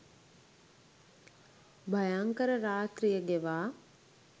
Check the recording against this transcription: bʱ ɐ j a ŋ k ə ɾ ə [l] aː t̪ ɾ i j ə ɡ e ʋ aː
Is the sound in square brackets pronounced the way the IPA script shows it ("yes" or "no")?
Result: no